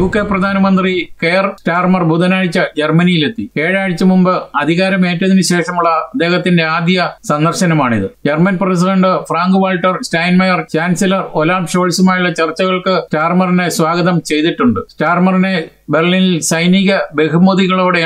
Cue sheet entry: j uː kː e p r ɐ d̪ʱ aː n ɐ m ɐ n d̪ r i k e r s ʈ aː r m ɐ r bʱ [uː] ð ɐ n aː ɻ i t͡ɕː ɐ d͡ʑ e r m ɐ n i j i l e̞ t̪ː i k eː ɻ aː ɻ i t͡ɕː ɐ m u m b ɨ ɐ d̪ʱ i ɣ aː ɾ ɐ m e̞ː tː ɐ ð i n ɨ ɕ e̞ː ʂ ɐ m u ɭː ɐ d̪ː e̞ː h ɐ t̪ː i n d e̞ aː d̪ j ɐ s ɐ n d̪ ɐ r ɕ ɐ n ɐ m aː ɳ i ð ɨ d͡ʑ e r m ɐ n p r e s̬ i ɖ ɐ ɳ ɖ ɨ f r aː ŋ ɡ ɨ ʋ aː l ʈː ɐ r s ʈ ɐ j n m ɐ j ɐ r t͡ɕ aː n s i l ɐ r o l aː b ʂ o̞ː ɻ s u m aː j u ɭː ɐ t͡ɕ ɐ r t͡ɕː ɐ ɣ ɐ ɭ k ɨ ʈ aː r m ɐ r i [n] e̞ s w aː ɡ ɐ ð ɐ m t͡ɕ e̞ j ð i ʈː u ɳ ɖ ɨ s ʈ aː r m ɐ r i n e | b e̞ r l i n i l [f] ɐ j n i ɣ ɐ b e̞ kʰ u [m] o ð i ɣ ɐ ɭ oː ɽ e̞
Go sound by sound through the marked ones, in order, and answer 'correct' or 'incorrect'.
incorrect: u, correct, incorrect: s, correct

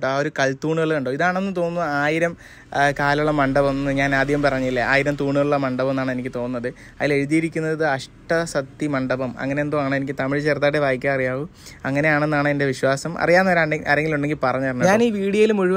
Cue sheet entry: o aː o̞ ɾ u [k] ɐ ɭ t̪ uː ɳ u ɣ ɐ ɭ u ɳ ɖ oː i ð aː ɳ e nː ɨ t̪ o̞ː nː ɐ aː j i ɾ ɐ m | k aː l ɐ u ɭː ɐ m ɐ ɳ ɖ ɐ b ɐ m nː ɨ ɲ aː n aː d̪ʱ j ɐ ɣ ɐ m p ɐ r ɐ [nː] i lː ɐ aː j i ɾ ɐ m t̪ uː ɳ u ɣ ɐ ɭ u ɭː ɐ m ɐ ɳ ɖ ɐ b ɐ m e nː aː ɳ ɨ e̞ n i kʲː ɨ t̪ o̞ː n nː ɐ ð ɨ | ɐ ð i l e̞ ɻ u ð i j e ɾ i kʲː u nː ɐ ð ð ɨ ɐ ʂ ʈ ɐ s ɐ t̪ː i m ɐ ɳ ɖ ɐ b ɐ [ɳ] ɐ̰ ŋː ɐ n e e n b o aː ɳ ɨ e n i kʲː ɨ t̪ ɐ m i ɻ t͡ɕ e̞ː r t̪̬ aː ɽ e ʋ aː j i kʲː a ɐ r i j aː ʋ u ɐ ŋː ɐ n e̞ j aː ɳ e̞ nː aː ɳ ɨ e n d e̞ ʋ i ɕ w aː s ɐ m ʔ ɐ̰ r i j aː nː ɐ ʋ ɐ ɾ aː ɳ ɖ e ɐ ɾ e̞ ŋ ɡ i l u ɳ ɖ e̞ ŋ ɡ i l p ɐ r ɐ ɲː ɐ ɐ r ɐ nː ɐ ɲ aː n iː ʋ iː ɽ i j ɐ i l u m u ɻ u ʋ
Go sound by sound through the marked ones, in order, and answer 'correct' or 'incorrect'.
correct, incorrect: ɲː, incorrect: m

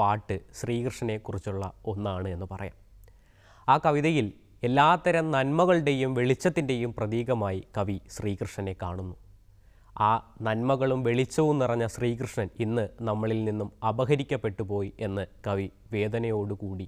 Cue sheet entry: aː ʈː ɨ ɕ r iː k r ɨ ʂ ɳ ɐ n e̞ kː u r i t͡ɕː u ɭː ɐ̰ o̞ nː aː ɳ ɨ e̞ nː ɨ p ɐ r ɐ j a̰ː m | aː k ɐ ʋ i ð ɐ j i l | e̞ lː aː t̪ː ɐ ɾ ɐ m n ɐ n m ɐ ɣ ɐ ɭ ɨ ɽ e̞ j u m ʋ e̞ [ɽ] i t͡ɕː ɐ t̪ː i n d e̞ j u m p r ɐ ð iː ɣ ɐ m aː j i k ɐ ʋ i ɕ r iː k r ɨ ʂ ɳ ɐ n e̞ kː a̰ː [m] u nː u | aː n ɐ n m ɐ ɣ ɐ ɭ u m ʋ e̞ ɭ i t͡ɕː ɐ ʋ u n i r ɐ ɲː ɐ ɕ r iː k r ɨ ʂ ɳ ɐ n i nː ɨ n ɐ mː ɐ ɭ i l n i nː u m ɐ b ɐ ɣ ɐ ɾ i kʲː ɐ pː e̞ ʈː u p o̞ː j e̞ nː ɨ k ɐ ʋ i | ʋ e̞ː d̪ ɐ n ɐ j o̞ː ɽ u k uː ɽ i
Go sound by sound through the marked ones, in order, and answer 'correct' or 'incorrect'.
incorrect: ɭ, incorrect: ɳ

